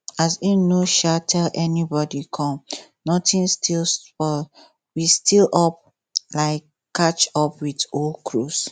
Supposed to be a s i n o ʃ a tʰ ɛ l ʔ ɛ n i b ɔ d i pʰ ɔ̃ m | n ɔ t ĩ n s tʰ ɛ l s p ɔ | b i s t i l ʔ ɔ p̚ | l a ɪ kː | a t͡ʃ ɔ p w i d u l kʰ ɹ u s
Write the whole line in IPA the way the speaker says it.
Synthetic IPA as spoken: a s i n o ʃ a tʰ ɛ l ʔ ɛ n i b ɔ d i kʰ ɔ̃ m | n ɔ t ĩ n s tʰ i l s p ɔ | w i s t i l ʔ ɔ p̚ | l a ɪ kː | a t͡ʃ ɔ p w i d o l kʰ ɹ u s